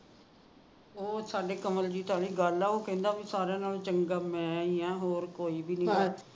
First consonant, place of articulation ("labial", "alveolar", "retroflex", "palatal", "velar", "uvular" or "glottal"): alveolar